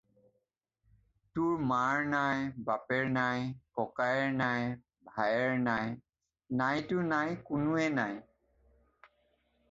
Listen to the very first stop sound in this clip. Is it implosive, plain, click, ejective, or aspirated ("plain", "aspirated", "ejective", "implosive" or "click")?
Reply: plain